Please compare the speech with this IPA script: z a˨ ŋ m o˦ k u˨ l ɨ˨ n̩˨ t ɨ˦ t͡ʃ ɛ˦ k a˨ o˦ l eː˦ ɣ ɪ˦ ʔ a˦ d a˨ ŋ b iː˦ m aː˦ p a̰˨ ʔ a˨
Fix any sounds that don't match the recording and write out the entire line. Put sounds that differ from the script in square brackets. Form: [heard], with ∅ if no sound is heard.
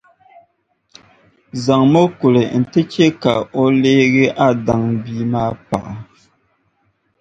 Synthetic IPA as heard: z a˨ ŋ m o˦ k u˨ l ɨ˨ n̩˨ t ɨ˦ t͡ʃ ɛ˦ k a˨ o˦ l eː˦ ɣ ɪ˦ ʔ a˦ d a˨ ŋ b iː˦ m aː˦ p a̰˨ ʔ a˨